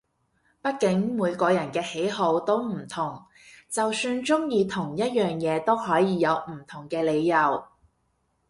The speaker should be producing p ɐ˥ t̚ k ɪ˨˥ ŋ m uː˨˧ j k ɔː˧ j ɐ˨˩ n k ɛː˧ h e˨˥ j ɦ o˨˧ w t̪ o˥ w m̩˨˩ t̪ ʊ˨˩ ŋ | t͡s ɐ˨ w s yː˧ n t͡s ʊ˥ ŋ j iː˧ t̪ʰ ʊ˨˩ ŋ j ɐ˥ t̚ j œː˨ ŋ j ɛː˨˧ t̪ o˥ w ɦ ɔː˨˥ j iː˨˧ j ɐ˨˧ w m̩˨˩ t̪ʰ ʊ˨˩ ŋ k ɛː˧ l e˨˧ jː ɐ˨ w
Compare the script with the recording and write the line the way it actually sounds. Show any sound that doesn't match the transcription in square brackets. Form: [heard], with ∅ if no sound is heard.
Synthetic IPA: p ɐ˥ t̚ k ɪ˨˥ ŋ m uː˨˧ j k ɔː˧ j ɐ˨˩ n k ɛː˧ h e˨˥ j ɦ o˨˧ w t̪ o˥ w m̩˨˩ [t̪ʰ] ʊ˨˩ ŋ | t͡s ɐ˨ w s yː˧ n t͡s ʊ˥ ŋ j iː˧ t̪ʰ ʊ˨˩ ŋ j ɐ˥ t̚ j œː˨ ŋ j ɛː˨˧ t̪ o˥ w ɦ ɔː˨˥ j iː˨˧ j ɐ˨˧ w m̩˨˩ t̪ʰ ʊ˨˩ ŋ k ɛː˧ l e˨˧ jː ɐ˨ w